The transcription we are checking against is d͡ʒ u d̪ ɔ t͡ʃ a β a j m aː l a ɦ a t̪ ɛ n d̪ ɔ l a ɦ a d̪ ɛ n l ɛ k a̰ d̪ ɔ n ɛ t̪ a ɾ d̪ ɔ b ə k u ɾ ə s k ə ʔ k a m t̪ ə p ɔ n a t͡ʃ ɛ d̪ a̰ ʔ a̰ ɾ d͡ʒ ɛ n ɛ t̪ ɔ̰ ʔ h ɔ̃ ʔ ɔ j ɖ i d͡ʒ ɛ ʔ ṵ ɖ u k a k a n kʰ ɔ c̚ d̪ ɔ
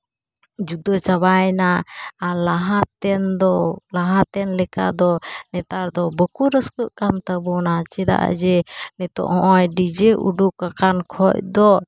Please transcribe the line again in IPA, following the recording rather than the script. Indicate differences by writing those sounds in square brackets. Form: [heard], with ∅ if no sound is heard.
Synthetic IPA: d͡ʒ u d̪ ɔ t͡ʃ a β a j [n] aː l a ɦ a t̪ ɛ n d̪ ɔ l a ɦ a [t̪] ɛ n l ɛ k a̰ d̪ ɔ n ɛ t̪ a ɾ d̪ ɔ b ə k u ɾ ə s k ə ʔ k a m t̪ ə [b] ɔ n a t͡ʃ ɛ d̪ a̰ ʔ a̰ [∅] d͡ʒ ɛ n ɛ t̪ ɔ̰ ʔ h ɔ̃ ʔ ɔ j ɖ i d͡ʒ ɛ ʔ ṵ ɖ u k a k a n kʰ ɔ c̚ d̪ ɔ